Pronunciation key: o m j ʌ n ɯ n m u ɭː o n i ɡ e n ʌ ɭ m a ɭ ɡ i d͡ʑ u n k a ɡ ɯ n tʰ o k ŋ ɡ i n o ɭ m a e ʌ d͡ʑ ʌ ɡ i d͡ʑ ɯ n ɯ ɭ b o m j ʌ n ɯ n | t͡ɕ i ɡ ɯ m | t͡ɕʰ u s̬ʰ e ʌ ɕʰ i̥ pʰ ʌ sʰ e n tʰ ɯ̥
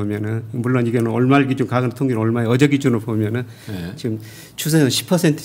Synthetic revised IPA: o m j ʌ n ɯ n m u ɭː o n i ɡ e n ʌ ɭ m a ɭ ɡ i d͡ʑ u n k a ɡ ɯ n tʰ o ŋ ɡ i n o ɭ m a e ʌ d͡ʑ ʌ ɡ i d͡ʑ u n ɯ ɭ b o m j ʌ n ɯ n | t͡ɕ i ɡ ɯ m | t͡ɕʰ u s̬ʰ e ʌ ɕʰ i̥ pʰ ʌ sʰ e n tʰ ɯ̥